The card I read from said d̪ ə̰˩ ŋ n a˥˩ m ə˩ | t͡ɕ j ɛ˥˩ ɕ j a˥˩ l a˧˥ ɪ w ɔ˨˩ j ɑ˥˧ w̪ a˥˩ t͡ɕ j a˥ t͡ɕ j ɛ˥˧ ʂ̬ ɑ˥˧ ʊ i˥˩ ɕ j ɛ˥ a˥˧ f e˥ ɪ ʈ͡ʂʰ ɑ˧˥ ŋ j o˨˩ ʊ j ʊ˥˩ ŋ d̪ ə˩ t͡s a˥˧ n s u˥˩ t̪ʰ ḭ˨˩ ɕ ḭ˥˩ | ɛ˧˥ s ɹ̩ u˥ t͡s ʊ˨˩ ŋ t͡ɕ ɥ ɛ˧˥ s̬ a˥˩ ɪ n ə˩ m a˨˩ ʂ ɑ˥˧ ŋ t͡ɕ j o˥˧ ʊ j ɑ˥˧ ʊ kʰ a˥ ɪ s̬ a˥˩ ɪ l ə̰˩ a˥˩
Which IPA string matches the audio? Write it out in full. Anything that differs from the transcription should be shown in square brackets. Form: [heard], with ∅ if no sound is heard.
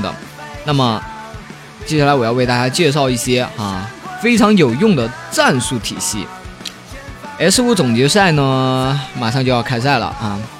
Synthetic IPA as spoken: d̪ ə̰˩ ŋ n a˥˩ m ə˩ | t͡ɕ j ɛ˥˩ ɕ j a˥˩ l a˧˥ ɪ w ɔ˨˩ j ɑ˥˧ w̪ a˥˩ t͡ɕ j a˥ t͡ɕ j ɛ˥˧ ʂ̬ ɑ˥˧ ʊ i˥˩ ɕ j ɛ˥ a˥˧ f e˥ ɪ ʈ͡ʂʰ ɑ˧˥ ŋ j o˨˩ ʊ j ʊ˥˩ ŋ d̪ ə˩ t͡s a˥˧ n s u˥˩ t̪ʰ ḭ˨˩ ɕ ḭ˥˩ | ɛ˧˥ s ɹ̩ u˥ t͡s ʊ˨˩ ŋ t͡ɕ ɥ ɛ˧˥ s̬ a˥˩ ɪ n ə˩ m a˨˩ ʂ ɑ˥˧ ŋ t͡ɕ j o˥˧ ʊ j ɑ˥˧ ʊ kʰ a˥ ɪ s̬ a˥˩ ɪ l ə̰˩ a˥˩